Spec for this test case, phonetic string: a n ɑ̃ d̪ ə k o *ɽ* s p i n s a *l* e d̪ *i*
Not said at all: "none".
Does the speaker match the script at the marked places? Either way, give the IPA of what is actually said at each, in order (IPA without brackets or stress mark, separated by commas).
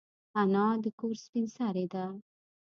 ɾ, ɾ, a